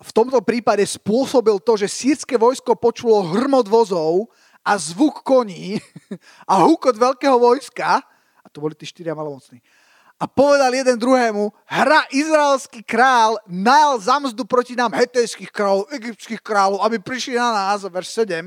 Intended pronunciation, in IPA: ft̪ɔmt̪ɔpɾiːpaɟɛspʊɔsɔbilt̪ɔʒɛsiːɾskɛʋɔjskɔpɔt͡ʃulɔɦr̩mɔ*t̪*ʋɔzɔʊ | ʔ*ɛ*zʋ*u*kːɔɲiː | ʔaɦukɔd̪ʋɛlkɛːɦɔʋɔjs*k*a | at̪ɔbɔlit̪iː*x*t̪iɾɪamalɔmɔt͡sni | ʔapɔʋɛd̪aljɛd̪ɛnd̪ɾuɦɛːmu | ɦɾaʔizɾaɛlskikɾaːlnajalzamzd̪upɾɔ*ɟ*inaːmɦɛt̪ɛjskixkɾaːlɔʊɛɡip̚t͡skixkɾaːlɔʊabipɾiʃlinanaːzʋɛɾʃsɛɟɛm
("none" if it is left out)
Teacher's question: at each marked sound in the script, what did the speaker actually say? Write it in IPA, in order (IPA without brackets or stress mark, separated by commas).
d̪, a, u, k, ʃ, c